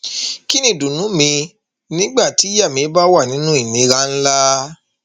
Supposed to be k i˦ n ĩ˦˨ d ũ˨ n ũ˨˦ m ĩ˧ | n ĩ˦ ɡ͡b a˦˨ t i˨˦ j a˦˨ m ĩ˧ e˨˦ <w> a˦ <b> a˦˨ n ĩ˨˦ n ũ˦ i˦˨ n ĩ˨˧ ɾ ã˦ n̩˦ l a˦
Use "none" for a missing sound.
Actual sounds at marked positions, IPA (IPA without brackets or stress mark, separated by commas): b, w